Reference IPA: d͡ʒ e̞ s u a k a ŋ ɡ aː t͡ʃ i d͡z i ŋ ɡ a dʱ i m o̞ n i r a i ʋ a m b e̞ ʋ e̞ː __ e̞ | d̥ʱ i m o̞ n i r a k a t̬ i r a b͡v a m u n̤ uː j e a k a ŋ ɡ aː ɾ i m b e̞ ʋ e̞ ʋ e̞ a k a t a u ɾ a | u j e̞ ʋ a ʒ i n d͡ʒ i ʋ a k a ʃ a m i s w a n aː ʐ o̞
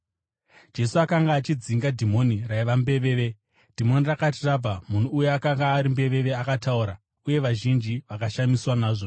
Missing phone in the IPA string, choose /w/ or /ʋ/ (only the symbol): ʋ